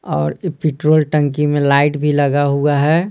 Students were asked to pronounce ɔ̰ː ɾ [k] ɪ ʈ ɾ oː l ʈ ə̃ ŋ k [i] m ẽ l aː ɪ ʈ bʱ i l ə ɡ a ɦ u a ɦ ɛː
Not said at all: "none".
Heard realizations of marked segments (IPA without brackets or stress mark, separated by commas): p, i